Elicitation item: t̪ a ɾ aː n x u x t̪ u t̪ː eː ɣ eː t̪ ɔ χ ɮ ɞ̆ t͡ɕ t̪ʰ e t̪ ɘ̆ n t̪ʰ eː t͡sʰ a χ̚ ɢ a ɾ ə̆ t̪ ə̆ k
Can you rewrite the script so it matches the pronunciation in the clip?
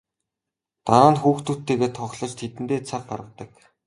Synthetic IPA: t̪ a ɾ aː n x uː x t̪ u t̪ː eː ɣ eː t̪ʰ ɔ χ ɮ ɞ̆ t͡ɕ t̪ʰ e t̪ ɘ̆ n t̪ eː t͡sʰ a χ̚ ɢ a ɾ ə̆ t̪ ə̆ k